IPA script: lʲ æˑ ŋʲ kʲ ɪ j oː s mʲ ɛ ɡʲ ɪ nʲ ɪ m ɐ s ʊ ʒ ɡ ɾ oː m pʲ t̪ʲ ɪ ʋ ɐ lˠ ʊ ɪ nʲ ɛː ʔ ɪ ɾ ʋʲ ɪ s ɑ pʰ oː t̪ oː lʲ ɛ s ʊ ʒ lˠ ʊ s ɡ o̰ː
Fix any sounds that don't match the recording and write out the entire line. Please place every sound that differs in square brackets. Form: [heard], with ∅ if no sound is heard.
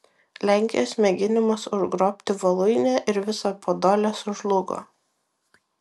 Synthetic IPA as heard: lʲ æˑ ŋʲ kʲ ɪ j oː s mʲ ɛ ɡʲ ɪ nʲ ɪ m ɐ s ʊ ʒ ɡ ɾ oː [∅] pʲ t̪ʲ ɪ ʋ ɐ lˠ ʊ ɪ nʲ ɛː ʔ ɪ ɾ ʋʲ ɪ s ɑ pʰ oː [d̪] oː lʲ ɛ s ʊ ʒ lˠ ʊ [∅] ɡ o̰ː